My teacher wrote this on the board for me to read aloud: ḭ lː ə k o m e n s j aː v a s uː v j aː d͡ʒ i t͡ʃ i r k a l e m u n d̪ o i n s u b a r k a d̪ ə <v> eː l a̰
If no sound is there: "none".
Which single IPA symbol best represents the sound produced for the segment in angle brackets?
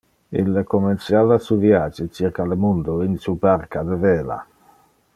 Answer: v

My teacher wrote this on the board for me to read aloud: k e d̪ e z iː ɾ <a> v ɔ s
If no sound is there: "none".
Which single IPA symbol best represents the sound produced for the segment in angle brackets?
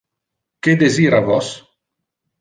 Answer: a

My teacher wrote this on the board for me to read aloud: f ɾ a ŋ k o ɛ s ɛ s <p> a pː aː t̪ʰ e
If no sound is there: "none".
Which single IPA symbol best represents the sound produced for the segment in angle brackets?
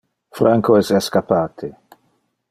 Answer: k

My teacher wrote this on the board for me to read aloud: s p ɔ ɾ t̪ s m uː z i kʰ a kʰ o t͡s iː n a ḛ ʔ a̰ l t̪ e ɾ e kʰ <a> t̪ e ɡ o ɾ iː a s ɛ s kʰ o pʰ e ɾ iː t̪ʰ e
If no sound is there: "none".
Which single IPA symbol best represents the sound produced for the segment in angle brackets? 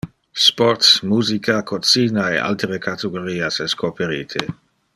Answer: a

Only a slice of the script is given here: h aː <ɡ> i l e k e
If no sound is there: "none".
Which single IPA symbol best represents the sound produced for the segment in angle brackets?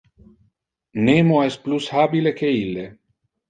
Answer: b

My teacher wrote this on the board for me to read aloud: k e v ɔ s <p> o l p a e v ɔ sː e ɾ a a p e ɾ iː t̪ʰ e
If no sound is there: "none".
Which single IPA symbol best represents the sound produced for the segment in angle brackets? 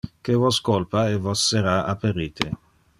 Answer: k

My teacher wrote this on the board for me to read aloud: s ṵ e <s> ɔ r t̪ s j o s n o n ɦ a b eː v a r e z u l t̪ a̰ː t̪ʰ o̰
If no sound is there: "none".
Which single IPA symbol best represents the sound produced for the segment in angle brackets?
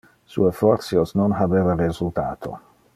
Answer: f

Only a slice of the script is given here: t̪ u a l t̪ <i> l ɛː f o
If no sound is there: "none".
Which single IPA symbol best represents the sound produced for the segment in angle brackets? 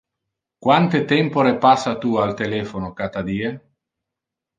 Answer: e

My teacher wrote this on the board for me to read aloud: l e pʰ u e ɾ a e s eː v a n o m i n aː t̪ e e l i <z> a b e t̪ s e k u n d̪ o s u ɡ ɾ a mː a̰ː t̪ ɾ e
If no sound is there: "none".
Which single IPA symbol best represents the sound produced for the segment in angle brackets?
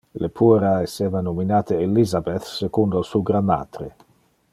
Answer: z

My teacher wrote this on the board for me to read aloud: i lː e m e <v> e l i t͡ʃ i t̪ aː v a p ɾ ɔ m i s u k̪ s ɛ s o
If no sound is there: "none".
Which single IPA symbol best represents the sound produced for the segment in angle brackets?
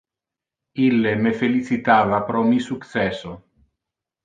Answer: f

